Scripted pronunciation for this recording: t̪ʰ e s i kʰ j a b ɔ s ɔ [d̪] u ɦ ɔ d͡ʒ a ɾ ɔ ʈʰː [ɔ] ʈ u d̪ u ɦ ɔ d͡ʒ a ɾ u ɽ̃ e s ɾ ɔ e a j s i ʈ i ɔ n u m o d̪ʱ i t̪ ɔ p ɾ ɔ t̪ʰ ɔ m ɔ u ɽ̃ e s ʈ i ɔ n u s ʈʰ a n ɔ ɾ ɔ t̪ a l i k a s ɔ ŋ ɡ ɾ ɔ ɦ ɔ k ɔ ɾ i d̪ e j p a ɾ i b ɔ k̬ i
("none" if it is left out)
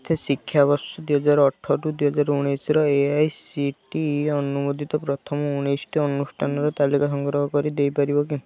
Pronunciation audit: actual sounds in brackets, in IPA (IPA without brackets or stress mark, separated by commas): d̪, ɔ